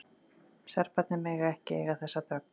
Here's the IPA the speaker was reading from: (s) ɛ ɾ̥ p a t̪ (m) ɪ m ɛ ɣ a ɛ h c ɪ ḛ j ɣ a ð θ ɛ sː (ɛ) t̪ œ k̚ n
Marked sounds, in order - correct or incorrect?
correct, incorrect: n, incorrect: a

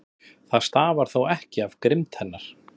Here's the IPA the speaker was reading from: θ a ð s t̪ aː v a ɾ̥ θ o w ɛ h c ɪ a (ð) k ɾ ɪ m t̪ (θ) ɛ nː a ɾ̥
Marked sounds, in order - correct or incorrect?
incorrect: v, incorrect: h

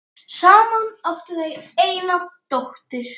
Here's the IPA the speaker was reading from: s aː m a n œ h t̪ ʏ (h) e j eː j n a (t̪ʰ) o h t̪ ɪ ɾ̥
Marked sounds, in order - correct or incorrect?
incorrect: θ, incorrect: t̪

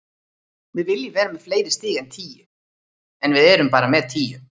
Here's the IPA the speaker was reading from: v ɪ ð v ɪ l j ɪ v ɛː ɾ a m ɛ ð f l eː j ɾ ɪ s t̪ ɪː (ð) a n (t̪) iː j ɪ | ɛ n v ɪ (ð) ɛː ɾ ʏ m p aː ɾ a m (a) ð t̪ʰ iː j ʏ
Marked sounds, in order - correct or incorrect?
incorrect: ɣ, incorrect: t̪ʰ, correct, incorrect: ɛ

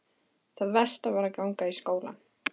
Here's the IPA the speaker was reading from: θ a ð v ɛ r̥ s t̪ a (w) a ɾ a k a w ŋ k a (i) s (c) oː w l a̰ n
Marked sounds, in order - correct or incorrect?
incorrect: v, correct, incorrect: k

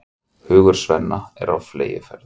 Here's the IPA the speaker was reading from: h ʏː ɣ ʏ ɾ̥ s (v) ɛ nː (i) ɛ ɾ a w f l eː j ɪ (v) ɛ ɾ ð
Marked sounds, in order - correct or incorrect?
correct, incorrect: a, incorrect: f

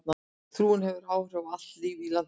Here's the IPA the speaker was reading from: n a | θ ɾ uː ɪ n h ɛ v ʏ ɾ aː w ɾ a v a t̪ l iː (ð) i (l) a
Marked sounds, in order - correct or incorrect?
incorrect: v, correct

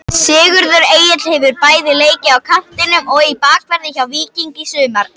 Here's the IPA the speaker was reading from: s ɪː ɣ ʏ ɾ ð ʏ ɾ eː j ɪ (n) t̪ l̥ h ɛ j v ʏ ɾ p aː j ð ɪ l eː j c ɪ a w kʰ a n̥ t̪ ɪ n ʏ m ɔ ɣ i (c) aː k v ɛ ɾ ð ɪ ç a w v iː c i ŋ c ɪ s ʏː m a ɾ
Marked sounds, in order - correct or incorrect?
incorrect: none, incorrect: p

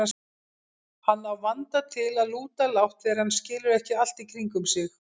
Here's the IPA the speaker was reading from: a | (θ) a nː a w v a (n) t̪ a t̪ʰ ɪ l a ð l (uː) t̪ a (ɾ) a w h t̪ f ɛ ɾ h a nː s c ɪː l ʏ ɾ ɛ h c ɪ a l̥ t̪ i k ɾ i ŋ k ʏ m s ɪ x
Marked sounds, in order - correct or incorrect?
incorrect: h, correct, correct, incorrect: l

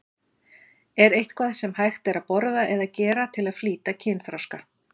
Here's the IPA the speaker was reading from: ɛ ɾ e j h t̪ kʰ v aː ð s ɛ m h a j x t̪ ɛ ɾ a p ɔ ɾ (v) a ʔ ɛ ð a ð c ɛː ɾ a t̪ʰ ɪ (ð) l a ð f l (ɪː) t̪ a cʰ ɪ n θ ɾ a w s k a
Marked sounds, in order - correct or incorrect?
incorrect: ð, incorrect: none, incorrect: iː

